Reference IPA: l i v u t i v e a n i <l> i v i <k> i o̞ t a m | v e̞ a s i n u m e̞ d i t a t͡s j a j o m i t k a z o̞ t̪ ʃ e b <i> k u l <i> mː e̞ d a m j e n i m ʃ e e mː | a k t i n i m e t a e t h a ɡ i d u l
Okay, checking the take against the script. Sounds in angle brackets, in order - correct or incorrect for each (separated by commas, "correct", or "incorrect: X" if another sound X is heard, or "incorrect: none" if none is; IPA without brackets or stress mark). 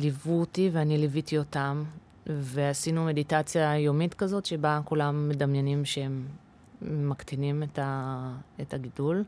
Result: correct, incorrect: t, incorrect: a, incorrect: a